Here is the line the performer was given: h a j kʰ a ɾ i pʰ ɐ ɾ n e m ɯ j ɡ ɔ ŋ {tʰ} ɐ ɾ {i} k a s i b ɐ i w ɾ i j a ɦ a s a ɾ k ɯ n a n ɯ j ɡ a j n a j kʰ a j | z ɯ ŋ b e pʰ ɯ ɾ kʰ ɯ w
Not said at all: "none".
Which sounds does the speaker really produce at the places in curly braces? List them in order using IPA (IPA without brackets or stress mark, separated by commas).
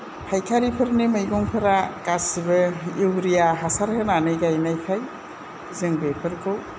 pʰ, a